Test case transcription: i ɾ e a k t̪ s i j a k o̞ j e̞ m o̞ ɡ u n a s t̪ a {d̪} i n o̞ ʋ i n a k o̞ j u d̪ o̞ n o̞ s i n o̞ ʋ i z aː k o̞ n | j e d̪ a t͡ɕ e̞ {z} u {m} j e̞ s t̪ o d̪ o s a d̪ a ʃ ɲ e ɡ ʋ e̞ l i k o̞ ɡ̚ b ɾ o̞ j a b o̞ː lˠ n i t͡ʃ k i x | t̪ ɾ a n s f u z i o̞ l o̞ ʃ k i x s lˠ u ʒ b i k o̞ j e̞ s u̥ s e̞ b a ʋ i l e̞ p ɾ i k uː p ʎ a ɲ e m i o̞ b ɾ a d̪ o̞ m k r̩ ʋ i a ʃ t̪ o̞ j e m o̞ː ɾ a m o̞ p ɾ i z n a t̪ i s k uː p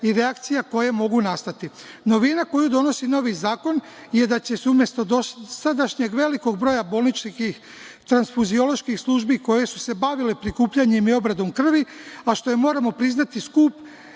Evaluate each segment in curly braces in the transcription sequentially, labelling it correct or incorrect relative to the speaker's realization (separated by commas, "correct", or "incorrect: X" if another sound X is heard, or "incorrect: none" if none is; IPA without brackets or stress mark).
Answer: incorrect: t̪, incorrect: s, correct